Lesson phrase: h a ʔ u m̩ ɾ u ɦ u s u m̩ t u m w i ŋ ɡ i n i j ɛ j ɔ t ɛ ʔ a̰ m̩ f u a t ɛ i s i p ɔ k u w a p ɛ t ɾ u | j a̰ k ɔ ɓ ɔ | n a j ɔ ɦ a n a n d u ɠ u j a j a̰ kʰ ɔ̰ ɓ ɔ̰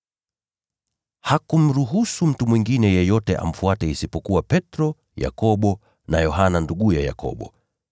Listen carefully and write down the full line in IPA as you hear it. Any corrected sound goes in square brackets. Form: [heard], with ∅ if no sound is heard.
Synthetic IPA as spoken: h a [k] u m̩ ɾ u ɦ u s u m̩ t u m w i ŋ ɡ i n [ɛ] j ɛ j ɔ t ɛ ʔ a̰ m̩ f u a t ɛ i s i p ɔ k u w a p ɛ t ɾ [ɔ] | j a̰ k ɔ ɓ ɔ | n a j ɔ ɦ a n a n d u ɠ u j a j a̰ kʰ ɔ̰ ɓ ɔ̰